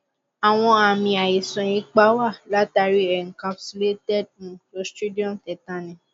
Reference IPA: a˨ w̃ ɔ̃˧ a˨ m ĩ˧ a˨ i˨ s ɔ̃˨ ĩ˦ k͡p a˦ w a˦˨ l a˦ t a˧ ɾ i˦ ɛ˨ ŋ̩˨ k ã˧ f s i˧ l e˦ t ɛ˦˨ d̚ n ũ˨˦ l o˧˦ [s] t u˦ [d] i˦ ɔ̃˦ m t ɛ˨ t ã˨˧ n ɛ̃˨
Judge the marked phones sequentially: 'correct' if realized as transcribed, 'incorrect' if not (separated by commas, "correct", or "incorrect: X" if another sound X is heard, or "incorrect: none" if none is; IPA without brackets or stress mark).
correct, correct